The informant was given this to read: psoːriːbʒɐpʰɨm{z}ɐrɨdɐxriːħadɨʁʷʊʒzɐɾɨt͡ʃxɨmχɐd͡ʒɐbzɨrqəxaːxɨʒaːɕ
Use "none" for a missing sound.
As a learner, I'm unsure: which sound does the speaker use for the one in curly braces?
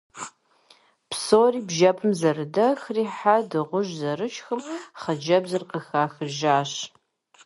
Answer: z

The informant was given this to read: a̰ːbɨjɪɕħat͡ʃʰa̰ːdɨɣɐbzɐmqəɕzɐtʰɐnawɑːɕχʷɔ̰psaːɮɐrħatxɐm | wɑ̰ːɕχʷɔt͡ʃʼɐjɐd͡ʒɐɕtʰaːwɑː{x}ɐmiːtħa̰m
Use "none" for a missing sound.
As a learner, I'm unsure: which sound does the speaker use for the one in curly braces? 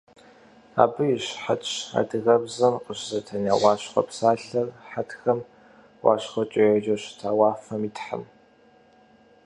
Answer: f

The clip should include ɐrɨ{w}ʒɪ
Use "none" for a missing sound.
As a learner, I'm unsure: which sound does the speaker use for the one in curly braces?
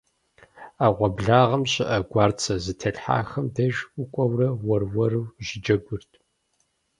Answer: w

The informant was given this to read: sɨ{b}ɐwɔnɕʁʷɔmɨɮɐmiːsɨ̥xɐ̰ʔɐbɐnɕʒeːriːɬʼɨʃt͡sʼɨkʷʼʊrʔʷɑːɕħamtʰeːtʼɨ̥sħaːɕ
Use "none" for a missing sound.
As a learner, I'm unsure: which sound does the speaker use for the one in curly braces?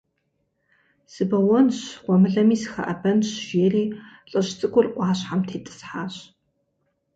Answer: b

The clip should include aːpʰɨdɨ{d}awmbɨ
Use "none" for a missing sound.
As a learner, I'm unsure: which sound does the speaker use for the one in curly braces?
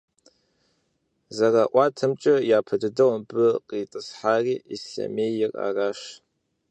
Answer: d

